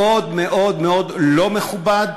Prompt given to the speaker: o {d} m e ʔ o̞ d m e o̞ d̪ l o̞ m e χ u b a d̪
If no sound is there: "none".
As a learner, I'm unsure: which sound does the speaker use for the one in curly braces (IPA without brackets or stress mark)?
d